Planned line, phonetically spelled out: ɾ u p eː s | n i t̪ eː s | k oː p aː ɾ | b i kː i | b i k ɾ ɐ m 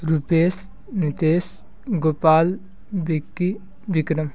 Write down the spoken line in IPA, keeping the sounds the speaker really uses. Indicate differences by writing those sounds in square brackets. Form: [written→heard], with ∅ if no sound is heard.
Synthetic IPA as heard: ɾ u p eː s | n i t̪ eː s | [k→ɡ] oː p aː [ɾ→l] | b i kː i | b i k ɾ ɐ m